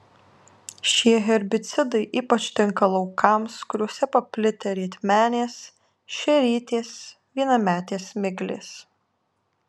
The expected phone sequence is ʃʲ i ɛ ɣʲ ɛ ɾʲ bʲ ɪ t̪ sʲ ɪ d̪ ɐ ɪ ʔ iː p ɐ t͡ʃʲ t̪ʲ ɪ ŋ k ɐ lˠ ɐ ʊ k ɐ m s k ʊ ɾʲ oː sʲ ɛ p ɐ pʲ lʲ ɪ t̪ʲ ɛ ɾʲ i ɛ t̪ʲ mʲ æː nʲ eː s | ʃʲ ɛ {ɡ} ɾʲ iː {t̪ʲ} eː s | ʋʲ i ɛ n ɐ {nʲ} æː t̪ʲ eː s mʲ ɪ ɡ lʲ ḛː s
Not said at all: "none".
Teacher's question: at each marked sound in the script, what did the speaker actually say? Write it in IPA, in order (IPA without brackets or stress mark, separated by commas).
none, t̪ʲ, mʲ